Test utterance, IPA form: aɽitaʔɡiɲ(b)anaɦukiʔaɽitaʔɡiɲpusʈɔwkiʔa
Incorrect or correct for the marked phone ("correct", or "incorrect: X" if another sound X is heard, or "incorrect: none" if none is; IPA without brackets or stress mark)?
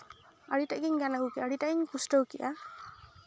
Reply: incorrect: ɡ